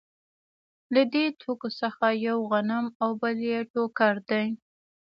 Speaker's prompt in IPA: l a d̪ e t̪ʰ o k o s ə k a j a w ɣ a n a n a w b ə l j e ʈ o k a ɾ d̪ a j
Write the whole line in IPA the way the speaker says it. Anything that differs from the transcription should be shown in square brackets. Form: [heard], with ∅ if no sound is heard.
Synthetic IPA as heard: l a d̪ e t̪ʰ o k o s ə [x] a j a w ɣ a n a [m] a w b ə l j e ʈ o k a ɾ d̪ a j